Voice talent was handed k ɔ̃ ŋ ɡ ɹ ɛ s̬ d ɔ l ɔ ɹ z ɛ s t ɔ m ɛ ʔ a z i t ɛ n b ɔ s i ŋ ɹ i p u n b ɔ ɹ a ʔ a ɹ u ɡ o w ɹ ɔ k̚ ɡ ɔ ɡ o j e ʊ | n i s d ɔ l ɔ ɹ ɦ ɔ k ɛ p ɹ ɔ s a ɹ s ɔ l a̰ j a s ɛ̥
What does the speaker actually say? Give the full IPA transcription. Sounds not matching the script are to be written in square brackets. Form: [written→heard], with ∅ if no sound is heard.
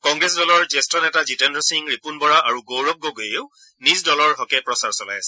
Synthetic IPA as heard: k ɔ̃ ŋ ɡ ɹ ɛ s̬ d ɔ l ɔ ɹ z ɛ s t ɔ [m→n] ɛ [ʔ→t] a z i t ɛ n [b→d] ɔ s i ŋ ɹ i p u n b ɔ ɹ a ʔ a ɹ u ɡ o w ɹ ɔ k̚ ɡ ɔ ɡ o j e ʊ | n i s d ɔ l ɔ ɹ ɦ ɔ k ɛ p ɹ ɔ s a ɹ s ɔ l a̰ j a s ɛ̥